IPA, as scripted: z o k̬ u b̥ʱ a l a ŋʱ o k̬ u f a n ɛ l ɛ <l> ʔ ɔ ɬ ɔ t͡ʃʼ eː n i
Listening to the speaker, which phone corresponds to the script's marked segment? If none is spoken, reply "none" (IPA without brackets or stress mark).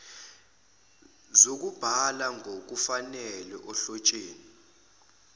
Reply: none